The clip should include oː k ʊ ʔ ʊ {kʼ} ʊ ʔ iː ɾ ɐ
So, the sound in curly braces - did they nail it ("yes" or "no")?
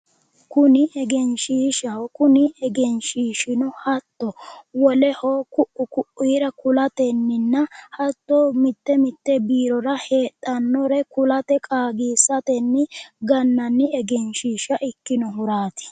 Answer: no